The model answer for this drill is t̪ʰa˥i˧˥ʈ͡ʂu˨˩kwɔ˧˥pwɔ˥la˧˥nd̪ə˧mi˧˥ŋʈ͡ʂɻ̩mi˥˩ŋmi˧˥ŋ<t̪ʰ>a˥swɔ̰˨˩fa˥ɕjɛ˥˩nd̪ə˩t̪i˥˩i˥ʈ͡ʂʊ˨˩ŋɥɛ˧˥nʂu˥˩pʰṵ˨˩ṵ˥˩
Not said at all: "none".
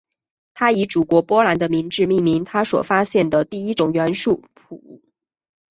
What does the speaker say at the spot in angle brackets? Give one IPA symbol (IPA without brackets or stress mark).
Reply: t̪ʰ